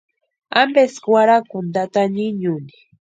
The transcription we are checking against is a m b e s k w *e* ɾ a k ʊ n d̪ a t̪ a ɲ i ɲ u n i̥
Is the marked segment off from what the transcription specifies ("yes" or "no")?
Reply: yes